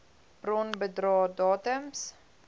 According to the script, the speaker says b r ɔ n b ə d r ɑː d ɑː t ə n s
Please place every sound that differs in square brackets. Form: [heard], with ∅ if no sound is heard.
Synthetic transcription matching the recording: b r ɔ n b ə d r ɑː d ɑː t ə [m] s